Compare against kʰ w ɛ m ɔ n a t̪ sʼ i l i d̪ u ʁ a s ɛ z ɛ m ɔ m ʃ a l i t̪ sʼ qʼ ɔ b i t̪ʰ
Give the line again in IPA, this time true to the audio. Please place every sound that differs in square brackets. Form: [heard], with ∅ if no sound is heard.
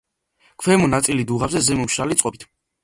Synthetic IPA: kʰ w ɛ m ɔ n a t̪ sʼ i l i d̪ u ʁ a [z] ɛ z ɛ m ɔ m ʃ a l i t̪ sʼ qʼ ɔ b i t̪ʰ